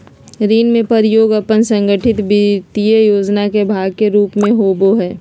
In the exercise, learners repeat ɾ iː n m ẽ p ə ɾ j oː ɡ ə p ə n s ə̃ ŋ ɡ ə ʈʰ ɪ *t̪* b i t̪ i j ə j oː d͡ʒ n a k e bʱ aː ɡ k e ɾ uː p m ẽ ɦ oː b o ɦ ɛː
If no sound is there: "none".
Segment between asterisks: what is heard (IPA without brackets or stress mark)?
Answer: t̪